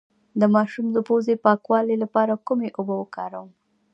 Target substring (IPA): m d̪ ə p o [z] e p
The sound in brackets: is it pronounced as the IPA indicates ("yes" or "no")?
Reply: yes